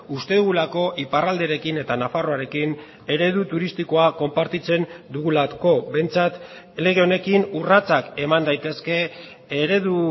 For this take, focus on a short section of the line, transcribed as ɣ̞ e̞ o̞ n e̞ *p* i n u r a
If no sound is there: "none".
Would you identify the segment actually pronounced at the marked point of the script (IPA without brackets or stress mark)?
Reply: k